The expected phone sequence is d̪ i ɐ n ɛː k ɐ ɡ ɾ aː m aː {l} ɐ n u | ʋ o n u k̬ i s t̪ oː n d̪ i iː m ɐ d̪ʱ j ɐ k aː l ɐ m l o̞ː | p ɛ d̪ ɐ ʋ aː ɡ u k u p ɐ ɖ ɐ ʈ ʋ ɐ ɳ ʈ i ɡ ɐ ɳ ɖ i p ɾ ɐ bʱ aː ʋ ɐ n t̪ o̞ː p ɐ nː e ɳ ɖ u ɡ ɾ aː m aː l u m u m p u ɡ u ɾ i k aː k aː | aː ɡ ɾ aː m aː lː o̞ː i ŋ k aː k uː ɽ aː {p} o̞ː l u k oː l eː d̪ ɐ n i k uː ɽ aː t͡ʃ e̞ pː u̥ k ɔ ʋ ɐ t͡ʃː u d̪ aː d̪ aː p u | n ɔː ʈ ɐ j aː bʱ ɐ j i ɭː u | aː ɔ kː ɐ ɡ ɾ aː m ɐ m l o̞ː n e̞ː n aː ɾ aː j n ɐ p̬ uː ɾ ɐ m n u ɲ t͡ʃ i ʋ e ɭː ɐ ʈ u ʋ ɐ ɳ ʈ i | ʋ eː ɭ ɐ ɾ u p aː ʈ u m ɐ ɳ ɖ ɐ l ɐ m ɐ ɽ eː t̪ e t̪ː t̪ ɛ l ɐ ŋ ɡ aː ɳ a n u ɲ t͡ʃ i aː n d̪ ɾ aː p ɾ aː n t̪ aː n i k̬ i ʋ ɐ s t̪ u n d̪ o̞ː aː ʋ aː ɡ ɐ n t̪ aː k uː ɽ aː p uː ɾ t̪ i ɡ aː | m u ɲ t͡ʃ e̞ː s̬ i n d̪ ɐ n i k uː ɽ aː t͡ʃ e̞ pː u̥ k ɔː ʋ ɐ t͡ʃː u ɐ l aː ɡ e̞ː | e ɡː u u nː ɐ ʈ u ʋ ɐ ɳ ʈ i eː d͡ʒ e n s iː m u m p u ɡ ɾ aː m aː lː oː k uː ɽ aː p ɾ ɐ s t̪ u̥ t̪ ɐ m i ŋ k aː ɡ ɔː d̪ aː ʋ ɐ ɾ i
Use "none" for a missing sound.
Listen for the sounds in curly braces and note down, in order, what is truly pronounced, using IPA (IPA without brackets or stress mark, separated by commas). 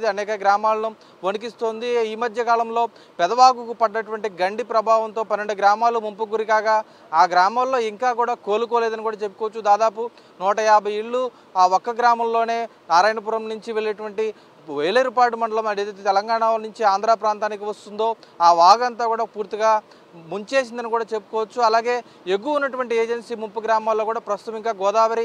l, k